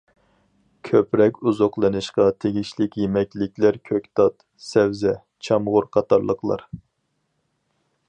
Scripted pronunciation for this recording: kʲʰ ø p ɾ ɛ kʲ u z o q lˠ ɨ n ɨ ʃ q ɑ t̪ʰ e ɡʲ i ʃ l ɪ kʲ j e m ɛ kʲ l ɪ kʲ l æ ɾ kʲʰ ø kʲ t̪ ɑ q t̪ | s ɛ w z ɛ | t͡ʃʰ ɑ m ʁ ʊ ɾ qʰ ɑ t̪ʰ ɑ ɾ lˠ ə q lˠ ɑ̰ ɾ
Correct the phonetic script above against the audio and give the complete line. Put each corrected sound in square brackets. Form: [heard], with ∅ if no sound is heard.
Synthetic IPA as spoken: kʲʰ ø p ɾ ɛ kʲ u z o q lˠ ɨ n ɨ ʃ q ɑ t̪ʰ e ɡʲ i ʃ l ɪ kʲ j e m ɛ kʲ l ɪ kʲ l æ ɾ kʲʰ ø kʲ t̪ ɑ [∅] t̪ | s ɛ w z ɛ | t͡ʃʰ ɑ m ʁ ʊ ɾ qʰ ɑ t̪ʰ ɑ ɾ lˠ ə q lˠ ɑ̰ ɾ